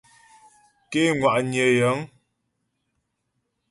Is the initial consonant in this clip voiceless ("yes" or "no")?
yes